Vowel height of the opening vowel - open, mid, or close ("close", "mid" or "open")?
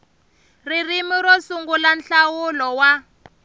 close